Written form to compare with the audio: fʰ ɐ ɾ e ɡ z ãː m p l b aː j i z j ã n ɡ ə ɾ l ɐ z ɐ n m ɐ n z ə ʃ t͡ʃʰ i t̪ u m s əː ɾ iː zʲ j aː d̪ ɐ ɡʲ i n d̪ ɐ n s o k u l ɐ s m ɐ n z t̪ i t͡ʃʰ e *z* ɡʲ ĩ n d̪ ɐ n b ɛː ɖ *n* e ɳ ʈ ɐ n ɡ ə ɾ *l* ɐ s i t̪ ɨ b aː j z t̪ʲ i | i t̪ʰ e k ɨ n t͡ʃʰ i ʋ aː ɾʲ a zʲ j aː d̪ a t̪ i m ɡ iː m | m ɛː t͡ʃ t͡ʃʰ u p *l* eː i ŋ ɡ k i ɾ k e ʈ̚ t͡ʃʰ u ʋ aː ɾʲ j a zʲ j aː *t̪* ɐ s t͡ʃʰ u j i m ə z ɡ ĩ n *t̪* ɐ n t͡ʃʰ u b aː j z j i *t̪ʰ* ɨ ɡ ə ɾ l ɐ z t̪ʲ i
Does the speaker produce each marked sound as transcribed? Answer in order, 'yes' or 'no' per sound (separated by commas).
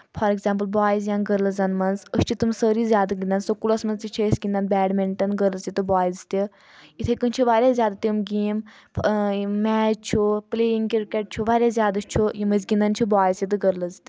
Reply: no, no, yes, yes, no, no, no